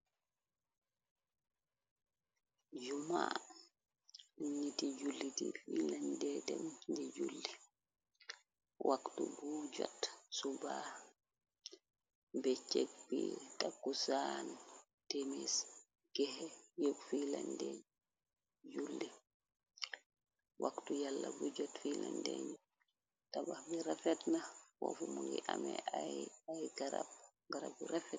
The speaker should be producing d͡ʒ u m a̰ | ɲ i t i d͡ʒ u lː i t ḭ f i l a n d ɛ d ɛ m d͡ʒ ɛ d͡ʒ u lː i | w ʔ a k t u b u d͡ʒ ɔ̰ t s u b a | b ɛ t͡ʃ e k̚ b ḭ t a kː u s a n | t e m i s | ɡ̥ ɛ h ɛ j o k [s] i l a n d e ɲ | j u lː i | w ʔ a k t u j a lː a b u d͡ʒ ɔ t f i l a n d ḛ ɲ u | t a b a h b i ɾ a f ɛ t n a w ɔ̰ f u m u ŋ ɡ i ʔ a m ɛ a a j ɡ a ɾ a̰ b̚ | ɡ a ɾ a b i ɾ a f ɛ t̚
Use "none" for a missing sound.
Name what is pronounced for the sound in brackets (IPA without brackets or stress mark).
f